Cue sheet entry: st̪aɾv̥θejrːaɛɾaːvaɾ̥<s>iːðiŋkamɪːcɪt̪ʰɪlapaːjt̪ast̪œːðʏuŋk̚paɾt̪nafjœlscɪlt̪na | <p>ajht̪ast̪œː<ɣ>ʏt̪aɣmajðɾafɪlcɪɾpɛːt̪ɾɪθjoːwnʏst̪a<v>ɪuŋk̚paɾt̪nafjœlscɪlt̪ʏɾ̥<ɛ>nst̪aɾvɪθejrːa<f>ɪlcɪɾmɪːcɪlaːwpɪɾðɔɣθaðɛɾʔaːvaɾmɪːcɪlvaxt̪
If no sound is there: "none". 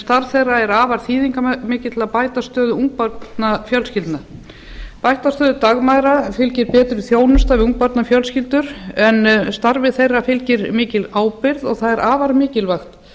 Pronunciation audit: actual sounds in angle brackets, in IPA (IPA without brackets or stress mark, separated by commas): θ, p, ð, v, ɛ, f